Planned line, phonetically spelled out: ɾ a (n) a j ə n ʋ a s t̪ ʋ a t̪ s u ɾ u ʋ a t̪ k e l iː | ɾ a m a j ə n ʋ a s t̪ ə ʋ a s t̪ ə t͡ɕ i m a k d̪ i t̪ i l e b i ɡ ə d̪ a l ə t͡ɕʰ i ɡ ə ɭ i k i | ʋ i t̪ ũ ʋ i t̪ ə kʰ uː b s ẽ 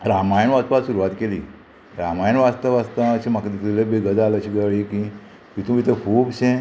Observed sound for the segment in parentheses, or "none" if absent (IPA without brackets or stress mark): m